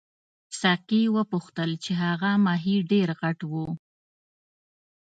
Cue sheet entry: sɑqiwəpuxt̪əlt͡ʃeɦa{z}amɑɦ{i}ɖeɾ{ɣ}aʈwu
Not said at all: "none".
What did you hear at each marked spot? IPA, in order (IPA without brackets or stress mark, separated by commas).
ɣ, i, ɣ